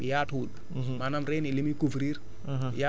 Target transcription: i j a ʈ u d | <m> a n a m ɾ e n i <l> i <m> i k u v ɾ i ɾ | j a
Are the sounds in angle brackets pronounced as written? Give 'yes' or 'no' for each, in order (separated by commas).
yes, yes, yes